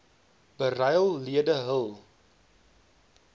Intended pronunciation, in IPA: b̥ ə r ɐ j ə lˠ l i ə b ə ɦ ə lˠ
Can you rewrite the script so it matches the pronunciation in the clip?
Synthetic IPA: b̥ ə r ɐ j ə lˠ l i ə d ə ɦ ə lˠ